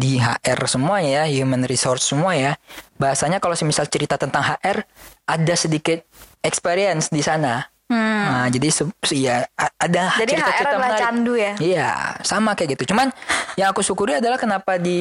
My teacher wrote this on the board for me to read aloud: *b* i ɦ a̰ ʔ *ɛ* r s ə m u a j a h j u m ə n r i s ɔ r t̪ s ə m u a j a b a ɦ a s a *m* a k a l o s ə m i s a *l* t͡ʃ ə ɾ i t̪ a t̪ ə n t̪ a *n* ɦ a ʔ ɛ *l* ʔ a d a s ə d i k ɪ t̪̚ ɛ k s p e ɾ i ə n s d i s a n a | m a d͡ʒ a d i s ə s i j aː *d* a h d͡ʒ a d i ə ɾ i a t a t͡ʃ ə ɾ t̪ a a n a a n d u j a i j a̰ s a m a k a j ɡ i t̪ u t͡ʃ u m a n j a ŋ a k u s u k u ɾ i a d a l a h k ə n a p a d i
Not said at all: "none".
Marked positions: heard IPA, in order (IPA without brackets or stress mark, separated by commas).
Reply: d, ɛ, ɲ, l, ŋ, r, d